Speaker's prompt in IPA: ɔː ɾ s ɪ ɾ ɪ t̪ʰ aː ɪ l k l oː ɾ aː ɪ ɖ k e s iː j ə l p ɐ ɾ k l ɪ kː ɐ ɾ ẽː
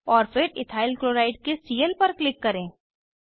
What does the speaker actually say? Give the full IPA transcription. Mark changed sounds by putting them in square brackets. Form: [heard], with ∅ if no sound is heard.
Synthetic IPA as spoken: ɔː ɾ [f] ɪ ɾ ɪ t̪ʰ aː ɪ l k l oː ɾ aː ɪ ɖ k e s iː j ə l p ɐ ɾ k l ɪ kː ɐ ɾ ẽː